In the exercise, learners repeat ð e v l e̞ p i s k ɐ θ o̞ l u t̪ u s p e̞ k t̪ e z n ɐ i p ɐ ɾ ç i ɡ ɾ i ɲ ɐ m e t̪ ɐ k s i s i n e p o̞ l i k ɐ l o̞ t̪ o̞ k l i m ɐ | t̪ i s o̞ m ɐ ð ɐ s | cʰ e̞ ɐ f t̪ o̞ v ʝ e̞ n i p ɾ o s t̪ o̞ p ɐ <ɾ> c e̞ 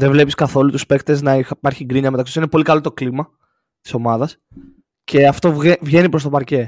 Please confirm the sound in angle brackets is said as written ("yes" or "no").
yes